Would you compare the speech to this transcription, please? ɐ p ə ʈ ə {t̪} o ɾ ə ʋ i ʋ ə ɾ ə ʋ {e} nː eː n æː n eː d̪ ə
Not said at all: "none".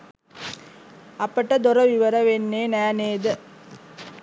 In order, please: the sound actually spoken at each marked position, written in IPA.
d̪, e

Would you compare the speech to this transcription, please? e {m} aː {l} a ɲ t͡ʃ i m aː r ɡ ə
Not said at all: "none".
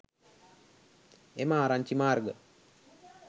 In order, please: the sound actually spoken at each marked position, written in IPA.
m, ɾ

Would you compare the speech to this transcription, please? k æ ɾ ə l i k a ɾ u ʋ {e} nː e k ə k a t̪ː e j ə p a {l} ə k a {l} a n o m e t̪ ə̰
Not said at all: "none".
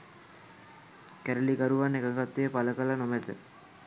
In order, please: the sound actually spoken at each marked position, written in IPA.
a, l, l

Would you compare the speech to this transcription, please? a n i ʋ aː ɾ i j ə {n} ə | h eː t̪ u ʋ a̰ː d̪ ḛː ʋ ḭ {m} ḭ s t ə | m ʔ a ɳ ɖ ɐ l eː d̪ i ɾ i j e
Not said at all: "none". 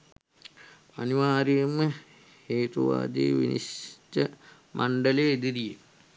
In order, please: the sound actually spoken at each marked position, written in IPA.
m, n

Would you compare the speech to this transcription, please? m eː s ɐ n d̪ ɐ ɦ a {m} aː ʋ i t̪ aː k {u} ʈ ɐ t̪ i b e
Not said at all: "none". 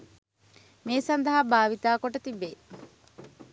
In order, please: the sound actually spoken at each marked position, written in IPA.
b, o

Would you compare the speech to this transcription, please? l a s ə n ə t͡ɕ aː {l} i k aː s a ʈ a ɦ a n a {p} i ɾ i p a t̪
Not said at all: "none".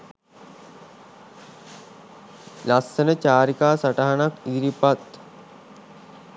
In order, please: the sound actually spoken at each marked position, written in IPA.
ɾ, k

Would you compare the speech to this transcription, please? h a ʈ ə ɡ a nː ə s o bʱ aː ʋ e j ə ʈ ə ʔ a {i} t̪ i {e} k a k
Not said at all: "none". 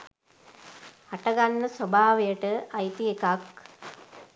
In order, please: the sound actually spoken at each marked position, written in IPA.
j, e

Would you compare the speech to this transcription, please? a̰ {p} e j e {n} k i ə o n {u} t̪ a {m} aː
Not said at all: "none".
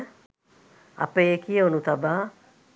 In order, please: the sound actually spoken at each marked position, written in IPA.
p, none, u, b

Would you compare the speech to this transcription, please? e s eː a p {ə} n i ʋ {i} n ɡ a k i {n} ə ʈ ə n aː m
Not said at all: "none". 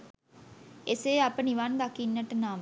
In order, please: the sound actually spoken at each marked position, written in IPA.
ə, a, nː

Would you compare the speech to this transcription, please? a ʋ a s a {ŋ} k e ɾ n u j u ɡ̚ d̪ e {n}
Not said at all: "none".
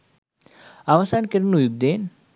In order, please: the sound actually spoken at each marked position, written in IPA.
n, n

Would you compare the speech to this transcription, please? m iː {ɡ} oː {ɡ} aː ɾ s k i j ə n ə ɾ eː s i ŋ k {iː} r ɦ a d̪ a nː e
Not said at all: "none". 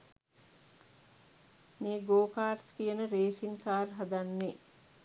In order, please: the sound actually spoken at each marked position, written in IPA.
ɡ, k, aː

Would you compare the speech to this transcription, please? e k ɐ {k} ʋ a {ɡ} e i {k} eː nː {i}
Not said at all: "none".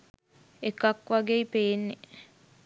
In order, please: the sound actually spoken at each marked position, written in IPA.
k, ɡ, p, e

